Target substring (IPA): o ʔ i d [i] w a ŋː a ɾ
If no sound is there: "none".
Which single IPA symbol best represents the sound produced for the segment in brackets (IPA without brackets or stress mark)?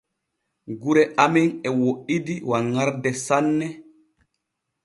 i